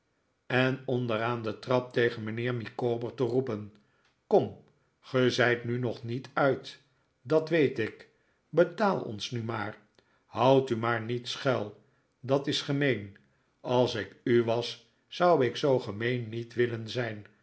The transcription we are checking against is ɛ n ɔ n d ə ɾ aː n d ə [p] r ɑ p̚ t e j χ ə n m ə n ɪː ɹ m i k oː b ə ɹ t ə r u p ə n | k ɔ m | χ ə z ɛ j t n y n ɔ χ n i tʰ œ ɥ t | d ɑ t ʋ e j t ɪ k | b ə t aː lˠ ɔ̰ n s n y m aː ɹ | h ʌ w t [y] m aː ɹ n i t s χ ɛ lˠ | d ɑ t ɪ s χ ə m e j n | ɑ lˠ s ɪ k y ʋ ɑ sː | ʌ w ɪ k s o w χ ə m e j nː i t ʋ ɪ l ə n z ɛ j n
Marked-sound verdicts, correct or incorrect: incorrect: t, correct

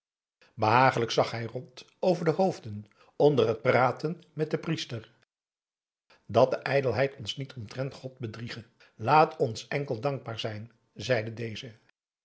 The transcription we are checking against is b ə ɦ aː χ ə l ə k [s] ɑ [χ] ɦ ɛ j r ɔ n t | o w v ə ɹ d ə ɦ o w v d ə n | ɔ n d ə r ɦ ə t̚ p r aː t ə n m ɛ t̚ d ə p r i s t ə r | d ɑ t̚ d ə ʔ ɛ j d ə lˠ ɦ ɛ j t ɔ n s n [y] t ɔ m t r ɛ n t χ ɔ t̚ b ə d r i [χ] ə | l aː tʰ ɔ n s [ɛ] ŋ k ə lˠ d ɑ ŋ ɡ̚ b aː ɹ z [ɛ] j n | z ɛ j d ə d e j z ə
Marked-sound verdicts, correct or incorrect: correct, correct, incorrect: i, correct, correct, correct

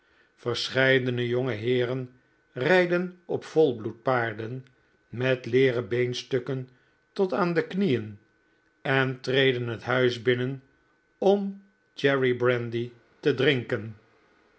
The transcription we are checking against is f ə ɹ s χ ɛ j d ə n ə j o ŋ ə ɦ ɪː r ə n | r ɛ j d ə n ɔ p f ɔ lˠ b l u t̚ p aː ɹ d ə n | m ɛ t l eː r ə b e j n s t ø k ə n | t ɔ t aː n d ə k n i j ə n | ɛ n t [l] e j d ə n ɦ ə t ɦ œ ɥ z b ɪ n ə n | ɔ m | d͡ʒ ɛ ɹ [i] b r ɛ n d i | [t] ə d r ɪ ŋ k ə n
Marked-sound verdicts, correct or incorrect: incorrect: r, correct, correct

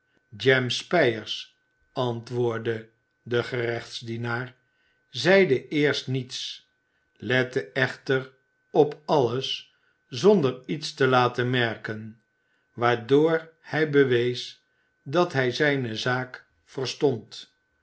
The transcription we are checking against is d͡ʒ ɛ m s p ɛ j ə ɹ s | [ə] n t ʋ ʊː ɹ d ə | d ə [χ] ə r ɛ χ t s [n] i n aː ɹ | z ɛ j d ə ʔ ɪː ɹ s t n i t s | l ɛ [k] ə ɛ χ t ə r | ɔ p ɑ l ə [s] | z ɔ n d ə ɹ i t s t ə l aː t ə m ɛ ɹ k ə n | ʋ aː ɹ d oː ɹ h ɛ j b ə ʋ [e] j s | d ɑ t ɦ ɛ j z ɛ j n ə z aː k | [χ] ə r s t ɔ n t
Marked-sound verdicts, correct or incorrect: incorrect: ɑ, correct, incorrect: d, incorrect: t, correct, correct, incorrect: f

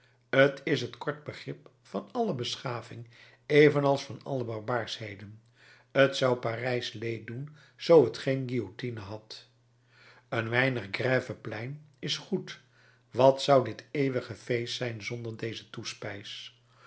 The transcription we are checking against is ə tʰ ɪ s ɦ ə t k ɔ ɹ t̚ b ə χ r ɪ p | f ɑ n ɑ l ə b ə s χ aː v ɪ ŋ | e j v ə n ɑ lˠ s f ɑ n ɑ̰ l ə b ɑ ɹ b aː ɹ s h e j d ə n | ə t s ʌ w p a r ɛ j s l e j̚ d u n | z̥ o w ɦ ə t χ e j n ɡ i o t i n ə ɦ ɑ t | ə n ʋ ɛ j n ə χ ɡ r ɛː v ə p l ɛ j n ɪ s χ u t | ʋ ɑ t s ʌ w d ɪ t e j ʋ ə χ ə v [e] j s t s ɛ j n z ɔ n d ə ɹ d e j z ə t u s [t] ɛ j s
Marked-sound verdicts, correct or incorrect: correct, incorrect: p

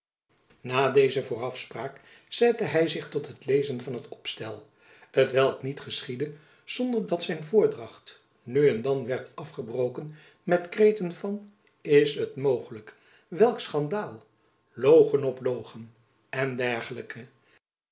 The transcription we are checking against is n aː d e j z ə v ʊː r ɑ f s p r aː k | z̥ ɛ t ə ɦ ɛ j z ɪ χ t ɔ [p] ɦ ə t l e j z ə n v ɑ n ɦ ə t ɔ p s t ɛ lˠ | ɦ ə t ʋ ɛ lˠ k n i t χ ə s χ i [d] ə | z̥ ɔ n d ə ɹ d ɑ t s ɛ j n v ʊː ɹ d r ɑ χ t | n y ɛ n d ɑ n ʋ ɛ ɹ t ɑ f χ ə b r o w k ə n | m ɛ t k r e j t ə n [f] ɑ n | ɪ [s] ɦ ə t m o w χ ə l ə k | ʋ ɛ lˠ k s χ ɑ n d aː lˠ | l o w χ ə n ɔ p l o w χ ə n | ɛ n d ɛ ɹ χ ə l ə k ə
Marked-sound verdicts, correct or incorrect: incorrect: t, correct, incorrect: v, correct

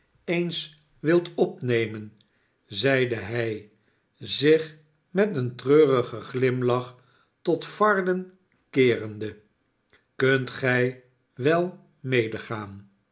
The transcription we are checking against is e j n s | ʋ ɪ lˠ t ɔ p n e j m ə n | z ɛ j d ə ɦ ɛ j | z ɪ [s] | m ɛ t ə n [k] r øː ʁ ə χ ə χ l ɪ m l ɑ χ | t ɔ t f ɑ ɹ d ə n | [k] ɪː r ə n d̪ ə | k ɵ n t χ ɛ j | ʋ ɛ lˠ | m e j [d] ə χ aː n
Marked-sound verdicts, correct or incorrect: incorrect: χ, incorrect: t, correct, correct

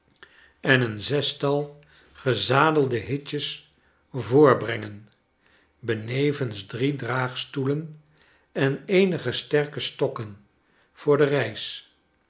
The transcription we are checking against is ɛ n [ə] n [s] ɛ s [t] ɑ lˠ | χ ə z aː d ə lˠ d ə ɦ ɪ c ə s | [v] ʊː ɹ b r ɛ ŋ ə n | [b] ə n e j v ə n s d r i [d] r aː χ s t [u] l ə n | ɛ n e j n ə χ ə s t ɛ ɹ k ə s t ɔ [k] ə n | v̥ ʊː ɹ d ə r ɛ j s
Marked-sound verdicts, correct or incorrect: correct, incorrect: z, correct, correct, correct, correct, correct, correct

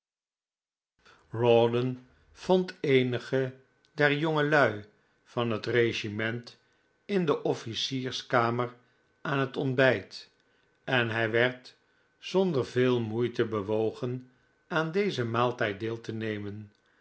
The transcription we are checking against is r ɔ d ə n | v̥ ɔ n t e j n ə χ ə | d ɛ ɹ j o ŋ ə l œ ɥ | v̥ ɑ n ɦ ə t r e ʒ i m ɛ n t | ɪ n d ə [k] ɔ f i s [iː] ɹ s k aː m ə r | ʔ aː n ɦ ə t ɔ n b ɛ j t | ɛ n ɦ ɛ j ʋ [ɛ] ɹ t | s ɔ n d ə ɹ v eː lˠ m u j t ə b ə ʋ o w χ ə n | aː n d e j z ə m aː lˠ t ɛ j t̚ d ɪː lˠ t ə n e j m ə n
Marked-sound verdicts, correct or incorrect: incorrect: ʔ, correct, correct

